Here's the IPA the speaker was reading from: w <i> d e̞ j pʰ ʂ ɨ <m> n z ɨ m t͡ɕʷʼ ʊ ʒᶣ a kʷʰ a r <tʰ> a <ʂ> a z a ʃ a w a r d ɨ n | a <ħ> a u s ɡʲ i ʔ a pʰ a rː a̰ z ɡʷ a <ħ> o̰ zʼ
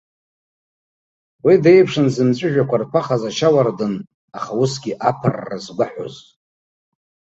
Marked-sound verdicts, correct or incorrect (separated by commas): correct, incorrect, incorrect, incorrect, incorrect, correct